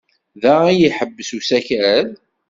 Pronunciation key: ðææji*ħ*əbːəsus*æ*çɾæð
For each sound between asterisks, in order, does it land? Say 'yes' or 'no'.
yes, yes

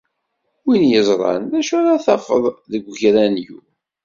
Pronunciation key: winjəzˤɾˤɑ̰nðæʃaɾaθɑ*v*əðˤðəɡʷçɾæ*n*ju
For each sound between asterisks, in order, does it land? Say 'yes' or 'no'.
no, yes

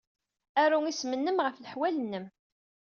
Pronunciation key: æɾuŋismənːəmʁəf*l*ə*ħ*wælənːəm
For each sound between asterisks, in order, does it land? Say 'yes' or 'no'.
yes, yes

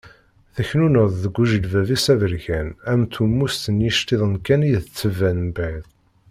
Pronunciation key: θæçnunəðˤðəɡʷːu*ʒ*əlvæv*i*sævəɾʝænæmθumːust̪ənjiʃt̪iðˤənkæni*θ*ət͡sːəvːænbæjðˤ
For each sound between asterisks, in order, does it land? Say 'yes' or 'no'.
yes, yes, no

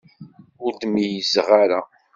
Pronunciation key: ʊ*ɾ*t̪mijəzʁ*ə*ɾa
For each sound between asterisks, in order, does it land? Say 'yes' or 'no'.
yes, no

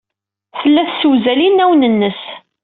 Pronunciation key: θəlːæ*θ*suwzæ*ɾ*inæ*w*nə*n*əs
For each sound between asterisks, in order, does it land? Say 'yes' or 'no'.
yes, no, yes, no

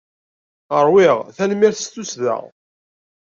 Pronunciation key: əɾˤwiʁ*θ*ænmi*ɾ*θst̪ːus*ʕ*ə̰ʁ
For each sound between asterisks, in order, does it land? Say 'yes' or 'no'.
yes, yes, no

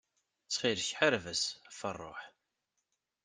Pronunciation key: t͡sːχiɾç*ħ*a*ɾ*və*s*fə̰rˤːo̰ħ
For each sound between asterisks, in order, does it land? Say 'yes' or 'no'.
yes, yes, yes

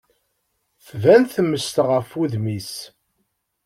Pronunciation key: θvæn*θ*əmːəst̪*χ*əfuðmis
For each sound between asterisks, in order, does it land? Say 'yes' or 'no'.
yes, no

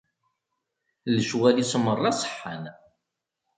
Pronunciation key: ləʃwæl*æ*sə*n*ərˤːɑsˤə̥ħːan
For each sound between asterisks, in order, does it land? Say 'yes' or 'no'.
no, no

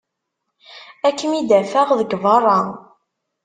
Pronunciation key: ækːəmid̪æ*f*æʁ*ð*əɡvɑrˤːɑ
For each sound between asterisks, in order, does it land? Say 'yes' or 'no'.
yes, yes

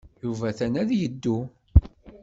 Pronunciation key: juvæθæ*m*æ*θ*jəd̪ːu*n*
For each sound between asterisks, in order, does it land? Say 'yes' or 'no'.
no, no, no

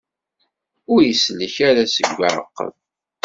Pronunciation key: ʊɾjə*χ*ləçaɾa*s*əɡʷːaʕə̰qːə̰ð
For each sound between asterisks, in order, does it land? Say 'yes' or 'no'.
no, yes

